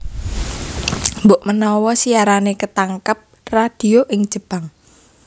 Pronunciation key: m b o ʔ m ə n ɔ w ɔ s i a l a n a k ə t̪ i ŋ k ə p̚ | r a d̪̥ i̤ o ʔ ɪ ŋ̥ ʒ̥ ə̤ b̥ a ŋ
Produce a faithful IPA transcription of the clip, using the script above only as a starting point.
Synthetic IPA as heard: m b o ʔ m ə n ɔ w ɔ s i a ɾ a n e k ə t̪ a ŋ k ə p̚ | r a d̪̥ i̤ o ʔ ɪ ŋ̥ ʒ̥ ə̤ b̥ a ŋ